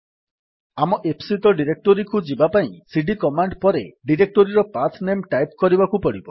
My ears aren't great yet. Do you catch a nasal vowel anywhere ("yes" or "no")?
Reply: yes